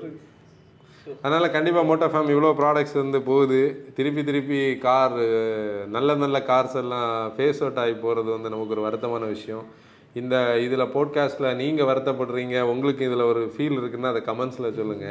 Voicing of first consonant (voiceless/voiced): voiced